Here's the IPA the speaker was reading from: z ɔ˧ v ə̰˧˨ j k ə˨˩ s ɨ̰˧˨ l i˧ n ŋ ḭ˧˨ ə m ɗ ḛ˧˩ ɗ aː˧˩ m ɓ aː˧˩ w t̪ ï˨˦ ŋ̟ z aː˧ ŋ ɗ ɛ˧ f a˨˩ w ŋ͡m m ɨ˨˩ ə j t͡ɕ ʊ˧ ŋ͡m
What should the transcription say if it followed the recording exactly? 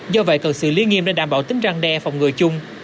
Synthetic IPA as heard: z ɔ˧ v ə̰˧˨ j k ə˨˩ s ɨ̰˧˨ l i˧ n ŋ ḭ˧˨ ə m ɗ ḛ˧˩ ɗ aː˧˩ m ɓ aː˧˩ w t̪ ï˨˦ ŋ̟ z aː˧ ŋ ɗ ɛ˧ f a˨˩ w ŋ͡m ŋ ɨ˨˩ ə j t͡ɕ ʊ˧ ŋ͡m